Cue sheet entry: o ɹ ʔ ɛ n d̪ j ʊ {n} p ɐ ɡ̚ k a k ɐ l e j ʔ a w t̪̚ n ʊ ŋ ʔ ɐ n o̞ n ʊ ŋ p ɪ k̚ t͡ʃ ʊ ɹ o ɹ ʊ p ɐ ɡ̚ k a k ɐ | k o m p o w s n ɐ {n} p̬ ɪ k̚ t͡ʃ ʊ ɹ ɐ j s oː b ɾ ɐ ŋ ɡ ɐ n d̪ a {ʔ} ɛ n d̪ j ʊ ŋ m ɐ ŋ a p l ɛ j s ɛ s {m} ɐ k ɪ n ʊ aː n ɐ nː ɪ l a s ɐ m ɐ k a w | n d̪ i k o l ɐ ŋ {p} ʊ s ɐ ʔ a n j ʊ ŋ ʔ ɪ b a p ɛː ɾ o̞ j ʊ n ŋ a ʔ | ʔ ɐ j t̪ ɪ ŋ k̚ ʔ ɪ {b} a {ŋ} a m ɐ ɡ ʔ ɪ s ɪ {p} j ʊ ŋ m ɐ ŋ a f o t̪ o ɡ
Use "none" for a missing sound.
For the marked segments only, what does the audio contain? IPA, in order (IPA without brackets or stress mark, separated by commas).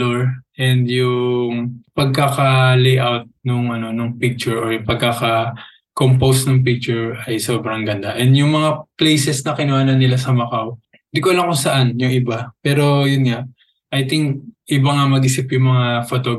ŋ, ŋ, ʔ, n, k, b, ŋ, p